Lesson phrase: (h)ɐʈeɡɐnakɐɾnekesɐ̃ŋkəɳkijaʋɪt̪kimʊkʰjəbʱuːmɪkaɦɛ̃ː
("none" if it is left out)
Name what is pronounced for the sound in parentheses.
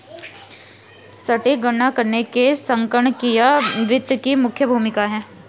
s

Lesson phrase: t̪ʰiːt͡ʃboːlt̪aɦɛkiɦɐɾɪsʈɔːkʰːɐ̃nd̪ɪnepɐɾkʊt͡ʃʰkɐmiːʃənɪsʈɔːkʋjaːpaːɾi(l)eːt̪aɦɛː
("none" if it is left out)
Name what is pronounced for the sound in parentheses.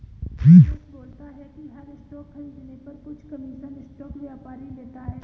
l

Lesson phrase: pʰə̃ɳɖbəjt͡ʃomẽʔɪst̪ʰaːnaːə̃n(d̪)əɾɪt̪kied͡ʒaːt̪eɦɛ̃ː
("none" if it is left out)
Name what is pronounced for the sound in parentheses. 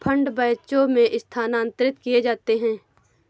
t̪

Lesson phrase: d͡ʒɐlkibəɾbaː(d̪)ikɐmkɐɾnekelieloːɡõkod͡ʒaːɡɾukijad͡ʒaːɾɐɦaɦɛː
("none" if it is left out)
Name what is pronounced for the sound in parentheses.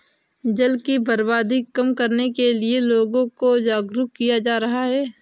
d̪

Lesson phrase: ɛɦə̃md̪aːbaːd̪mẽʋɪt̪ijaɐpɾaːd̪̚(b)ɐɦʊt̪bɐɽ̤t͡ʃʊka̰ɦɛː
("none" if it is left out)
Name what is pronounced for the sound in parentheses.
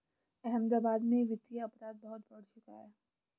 b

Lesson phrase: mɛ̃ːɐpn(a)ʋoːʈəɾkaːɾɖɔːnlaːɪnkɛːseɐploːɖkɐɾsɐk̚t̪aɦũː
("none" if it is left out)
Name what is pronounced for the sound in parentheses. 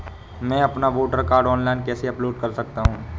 a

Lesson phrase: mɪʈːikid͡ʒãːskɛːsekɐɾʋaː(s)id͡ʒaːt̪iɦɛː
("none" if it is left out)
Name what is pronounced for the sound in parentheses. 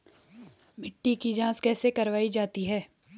none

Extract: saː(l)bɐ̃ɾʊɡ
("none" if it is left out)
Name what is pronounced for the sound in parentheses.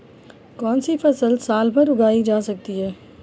l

